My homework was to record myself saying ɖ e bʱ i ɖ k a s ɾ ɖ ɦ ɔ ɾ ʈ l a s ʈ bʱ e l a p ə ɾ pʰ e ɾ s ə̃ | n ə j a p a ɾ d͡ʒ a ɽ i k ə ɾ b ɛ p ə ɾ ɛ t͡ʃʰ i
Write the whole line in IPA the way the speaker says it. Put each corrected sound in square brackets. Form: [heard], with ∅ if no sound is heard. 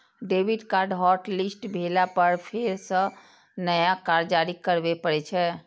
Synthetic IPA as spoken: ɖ e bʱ i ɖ k a [∅] ɾ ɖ ɦ ɔ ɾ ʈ l [i] s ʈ bʱ e l a p ə ɾ pʰ e ɾ s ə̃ | n ə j a [k] a ɾ d͡ʒ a [ɾ] i k ə ɾ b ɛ p ə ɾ ɛ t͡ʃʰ [ɛ]